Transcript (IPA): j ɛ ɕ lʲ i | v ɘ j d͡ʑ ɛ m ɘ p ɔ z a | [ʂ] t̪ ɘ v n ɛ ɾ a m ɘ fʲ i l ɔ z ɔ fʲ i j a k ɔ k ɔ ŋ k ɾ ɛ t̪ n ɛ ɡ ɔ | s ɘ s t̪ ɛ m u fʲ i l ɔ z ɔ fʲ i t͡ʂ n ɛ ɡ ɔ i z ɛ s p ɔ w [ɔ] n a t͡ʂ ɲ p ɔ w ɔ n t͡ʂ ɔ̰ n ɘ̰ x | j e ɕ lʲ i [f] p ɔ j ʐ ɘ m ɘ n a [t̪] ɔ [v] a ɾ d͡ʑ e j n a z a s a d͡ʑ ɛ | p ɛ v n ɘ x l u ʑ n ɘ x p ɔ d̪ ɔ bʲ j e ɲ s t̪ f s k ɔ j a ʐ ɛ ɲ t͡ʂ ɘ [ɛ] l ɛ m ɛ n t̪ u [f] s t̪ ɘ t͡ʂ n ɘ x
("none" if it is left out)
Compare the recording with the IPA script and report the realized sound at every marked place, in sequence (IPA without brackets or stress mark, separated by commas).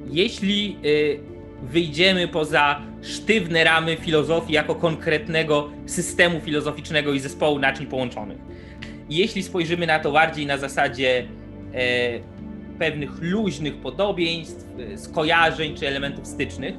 ʂ, u, s, t̪, b, ɛ, f